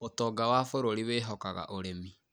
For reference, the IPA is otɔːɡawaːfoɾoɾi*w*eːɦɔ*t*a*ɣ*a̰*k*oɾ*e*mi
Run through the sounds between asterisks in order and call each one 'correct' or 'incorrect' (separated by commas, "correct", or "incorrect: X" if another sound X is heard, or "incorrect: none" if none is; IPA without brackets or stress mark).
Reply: correct, incorrect: k, correct, incorrect: ʔ, correct